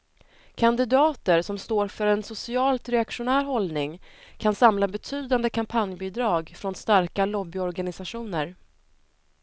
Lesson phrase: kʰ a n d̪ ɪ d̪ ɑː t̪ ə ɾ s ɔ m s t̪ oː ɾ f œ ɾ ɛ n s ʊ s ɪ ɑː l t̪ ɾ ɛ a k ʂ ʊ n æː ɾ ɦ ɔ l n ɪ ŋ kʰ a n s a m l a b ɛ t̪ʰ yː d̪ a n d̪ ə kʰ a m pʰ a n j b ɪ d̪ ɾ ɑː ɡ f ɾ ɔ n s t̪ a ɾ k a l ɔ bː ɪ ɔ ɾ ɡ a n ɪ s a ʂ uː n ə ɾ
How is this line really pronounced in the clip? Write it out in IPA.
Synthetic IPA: kʰ a n d̪ ɪ d̪ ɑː t̪ ə ɾ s ɔ m s t̪ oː ɾ f œ ɾ ɛ n s ʊ s ɪ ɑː l t̪ ɾ ɛ a k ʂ ʊ n æː ɾ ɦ ɔ l n ɪ ŋ kʰ a n s a m l a b ɛ t̪ʰ yː d̪ a n d̪ ə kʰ a m pʰ a n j b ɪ d̪ ɾ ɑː ɡ f ɾ ɔ n s t̪ a ɾ k a l ɔ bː ɪ ɔ ɾ ɡ a n ɪ s a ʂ uː n ə ɾ